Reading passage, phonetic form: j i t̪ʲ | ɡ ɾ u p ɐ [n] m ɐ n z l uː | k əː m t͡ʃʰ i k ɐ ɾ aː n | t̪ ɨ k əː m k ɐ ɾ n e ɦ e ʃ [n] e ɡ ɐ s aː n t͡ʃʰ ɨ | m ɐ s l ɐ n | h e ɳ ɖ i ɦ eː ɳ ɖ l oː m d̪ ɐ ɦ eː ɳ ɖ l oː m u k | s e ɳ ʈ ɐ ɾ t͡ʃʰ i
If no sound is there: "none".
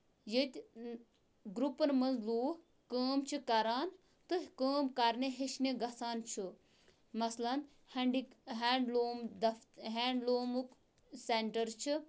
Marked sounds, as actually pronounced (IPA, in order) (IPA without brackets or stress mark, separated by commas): n, n